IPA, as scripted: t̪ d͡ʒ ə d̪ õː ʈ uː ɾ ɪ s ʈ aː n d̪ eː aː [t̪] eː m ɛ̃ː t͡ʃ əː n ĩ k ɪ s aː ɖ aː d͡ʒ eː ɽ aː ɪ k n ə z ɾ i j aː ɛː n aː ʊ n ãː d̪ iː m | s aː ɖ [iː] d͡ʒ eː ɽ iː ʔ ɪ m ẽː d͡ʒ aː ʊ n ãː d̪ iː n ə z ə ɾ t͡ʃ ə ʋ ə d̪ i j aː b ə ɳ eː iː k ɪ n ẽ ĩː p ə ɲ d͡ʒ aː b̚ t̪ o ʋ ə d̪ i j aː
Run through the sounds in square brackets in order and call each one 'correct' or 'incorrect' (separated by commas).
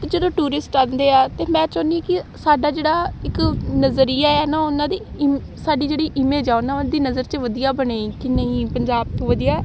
correct, correct